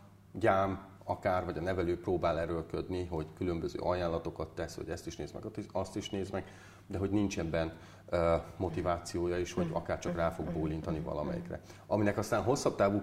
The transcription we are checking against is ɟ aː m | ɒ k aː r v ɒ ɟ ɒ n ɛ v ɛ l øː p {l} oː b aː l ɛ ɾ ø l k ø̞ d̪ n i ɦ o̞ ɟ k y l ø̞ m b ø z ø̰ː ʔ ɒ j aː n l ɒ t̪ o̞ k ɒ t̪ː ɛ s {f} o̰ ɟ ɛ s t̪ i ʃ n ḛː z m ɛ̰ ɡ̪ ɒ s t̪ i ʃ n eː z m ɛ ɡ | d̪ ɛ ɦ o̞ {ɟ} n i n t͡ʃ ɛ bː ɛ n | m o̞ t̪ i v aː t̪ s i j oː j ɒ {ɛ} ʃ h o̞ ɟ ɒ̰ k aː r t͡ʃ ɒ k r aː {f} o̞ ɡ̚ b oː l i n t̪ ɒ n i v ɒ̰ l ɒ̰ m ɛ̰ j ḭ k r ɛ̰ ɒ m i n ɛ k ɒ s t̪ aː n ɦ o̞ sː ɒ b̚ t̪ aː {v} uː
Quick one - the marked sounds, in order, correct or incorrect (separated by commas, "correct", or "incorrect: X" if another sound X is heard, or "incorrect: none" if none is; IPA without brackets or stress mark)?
incorrect: r, incorrect: h, correct, incorrect: i, correct, correct